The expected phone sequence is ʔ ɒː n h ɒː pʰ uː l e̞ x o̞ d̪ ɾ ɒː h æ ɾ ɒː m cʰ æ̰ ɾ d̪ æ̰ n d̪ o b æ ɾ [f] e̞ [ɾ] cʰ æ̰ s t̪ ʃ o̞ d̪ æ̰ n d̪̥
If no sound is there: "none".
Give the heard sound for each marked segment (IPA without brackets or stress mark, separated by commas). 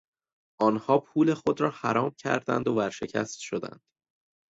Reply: ʃ, none